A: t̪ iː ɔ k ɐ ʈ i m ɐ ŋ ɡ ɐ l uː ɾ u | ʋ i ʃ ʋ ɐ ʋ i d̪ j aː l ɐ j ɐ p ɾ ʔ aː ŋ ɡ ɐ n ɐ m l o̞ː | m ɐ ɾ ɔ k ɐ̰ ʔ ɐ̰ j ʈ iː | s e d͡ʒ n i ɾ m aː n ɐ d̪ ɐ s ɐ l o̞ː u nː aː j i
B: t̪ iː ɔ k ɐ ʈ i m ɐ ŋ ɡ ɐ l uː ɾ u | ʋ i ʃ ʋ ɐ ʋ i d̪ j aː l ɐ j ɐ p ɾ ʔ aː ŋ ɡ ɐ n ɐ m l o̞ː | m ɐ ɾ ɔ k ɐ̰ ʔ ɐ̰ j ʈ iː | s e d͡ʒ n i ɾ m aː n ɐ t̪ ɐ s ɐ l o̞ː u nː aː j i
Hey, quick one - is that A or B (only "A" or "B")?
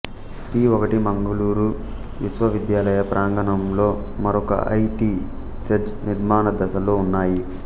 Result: A